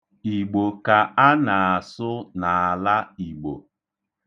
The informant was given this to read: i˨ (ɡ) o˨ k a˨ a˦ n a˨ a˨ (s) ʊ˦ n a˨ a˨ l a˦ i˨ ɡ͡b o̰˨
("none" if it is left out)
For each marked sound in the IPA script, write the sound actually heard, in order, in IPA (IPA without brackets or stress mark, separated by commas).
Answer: ɡ͡b, s